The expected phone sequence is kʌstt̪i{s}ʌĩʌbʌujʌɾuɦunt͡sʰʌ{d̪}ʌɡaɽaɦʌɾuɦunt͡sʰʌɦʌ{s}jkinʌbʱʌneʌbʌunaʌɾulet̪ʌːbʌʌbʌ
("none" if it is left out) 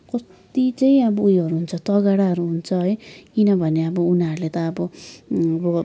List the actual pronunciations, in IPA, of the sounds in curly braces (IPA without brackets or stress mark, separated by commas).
t͡s, t̪, none